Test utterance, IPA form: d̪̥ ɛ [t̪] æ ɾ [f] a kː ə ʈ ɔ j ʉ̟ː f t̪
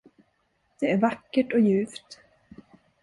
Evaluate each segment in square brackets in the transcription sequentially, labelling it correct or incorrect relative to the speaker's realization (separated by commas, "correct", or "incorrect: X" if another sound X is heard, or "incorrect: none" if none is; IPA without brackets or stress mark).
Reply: incorrect: none, incorrect: v